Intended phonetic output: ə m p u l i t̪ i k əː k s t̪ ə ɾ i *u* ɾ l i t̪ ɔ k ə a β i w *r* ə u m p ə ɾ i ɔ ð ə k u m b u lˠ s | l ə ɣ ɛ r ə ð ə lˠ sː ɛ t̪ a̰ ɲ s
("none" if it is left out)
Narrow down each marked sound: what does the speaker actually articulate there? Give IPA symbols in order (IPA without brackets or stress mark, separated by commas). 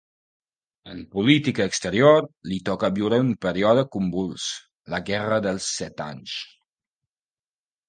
o, ɾ